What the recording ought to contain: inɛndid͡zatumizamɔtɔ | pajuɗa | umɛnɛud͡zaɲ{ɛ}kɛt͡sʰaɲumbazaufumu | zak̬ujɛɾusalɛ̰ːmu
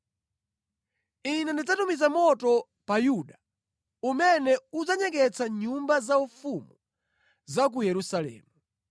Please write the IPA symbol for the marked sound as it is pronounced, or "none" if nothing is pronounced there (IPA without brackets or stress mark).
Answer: ɛ